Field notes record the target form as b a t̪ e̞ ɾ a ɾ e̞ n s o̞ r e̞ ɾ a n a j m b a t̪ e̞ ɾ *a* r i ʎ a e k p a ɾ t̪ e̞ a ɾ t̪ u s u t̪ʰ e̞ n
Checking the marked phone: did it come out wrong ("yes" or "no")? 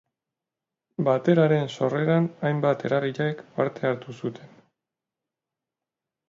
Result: no